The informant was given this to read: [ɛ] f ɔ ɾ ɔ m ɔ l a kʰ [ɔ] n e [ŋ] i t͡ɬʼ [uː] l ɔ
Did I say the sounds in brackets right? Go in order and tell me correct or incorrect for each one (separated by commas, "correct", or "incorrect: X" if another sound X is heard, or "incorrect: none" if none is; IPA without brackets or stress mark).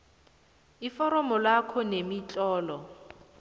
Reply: incorrect: i, correct, incorrect: m, incorrect: ɔː